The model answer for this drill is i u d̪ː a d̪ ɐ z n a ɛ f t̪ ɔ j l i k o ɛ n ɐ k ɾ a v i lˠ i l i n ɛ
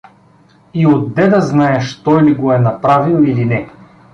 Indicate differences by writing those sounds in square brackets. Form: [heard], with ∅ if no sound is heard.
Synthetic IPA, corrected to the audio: i [o] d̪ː [ɛ] d̪ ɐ z n a ɛ [ʃ] t̪ ɔ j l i [ɡ] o ɛ n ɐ [p] ɾ a v i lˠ i l i n ɛ